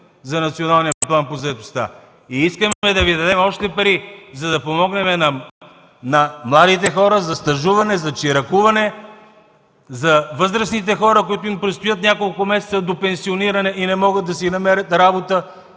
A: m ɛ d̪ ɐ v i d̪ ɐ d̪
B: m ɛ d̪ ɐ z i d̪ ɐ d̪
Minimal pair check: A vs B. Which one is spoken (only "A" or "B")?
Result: A